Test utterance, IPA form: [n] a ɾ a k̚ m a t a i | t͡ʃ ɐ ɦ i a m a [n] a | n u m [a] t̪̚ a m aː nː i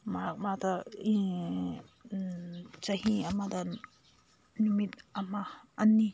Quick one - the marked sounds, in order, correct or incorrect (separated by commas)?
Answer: incorrect, incorrect, incorrect